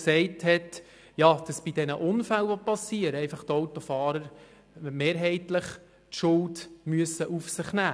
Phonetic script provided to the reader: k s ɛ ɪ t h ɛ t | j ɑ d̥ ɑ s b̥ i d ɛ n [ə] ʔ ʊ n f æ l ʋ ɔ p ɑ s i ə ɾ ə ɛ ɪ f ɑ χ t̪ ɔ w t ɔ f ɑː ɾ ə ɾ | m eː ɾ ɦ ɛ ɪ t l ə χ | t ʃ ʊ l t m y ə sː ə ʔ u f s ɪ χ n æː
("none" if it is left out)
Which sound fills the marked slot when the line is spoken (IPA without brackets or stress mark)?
ə